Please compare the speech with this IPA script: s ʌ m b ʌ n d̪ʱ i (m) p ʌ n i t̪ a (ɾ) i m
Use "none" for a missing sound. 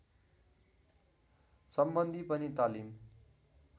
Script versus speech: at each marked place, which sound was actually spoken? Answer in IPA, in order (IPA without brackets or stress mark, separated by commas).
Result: none, l